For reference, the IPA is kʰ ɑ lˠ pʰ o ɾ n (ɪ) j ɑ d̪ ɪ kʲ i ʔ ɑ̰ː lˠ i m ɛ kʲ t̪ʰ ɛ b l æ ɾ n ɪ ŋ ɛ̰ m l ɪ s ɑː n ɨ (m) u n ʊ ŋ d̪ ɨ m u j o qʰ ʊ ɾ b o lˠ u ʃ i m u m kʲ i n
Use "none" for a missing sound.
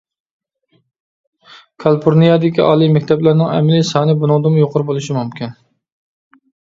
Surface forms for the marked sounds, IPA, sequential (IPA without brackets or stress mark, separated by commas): i, b